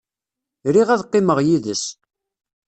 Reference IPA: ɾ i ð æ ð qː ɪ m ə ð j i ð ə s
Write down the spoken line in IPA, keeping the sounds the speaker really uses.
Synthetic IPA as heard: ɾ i ʁ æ ð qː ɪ m ə ʁ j i ð ə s